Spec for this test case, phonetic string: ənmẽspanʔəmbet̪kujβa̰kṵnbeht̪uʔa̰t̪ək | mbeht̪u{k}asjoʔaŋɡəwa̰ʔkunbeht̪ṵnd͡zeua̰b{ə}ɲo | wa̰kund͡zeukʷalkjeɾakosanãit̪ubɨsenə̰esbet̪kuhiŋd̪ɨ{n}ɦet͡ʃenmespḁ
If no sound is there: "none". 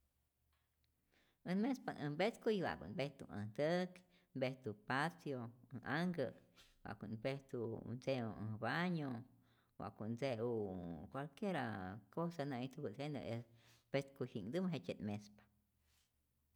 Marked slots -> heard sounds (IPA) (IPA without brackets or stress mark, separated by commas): p, a, m